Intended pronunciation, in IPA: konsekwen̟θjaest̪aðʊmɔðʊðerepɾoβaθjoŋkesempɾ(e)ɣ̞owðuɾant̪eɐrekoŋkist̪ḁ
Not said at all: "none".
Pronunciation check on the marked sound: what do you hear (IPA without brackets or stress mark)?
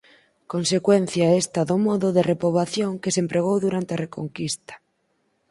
e